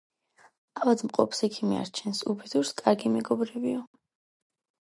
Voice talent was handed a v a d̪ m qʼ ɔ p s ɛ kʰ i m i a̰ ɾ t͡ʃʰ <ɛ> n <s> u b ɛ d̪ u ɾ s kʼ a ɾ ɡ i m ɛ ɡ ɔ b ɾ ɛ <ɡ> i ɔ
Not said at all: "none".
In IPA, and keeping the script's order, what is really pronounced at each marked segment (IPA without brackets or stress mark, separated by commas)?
ɛ, s, b